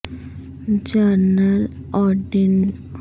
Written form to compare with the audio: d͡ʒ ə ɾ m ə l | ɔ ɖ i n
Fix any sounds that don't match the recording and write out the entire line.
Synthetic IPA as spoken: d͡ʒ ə ɾ n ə l | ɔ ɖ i n